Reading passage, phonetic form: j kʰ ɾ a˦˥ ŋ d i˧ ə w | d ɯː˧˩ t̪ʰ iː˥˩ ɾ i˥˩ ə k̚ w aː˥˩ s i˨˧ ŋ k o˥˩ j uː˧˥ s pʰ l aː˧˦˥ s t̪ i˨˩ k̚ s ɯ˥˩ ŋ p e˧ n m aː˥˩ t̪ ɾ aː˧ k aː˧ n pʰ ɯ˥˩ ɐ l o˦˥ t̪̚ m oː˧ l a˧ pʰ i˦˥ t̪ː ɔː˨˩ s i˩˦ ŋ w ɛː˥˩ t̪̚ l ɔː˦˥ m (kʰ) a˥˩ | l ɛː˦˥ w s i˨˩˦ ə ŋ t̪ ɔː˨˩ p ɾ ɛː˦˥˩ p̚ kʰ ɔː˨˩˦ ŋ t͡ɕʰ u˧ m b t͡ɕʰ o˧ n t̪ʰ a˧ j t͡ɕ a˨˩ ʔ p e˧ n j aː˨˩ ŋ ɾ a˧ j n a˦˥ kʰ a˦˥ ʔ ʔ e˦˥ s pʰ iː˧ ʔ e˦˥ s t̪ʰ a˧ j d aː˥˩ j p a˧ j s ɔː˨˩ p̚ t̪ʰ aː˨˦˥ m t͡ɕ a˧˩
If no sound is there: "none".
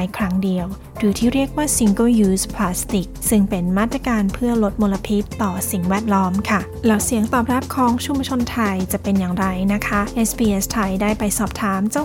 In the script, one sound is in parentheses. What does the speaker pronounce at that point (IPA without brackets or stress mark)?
kʰ